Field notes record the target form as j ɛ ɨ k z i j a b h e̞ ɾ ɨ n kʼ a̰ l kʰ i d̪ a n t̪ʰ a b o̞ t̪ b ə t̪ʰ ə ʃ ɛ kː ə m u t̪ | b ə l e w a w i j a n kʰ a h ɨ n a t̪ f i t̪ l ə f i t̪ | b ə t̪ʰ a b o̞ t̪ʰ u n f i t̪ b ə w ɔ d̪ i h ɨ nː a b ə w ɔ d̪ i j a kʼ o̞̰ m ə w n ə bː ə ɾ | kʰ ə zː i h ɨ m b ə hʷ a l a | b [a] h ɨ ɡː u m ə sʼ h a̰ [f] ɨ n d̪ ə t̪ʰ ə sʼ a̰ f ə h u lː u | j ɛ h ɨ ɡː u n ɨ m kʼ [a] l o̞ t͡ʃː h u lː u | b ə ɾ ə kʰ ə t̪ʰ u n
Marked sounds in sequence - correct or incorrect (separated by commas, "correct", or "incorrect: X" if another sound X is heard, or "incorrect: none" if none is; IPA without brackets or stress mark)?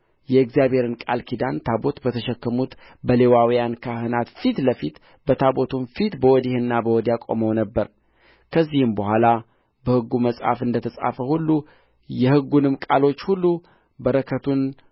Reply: incorrect: ə, correct, correct